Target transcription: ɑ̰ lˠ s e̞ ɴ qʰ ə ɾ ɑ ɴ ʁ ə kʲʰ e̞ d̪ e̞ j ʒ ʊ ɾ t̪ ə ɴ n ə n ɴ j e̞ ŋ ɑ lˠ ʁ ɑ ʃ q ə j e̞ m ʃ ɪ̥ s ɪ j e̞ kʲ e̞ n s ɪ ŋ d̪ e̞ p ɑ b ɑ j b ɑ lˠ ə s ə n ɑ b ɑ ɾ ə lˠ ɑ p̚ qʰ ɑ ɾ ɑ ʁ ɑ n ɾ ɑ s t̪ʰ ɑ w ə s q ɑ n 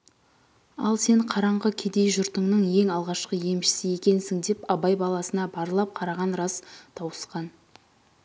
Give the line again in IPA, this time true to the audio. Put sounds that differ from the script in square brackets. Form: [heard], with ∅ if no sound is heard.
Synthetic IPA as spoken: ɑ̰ lˠ s e̞ ɴ qʰ [ɑ] ɾ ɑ ɴ ʁ ə kʲʰ e̞ d̪ e̞ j ʒ ʊ ɾ t̪ ə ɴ n ə [∅] ɴ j e̞ ŋ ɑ lˠ ʁ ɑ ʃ q ə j e̞ m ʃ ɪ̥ s ɪ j e̞ kʲ e̞ n s ɪ ŋ d̪ e̞ p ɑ b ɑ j b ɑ lˠ [ɑ] s ə n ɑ b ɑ ɾ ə lˠ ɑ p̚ qʰ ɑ ɾ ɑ ʁ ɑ n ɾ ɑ s t̪ʰ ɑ w ə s q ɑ n